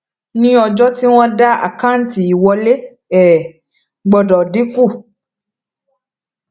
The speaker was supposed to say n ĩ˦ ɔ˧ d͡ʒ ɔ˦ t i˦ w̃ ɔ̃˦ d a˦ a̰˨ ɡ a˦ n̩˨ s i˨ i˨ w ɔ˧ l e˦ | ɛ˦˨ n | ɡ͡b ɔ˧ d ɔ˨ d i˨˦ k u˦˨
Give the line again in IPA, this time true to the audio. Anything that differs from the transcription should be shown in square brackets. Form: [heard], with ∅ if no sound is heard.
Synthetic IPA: n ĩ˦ ɔ˧ d͡ʒ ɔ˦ t i˦ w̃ ɔ̃˦ d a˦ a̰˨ [k] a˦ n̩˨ [t] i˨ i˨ w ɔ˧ l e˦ | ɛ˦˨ [∅] | ɡ͡b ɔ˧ d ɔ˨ d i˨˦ k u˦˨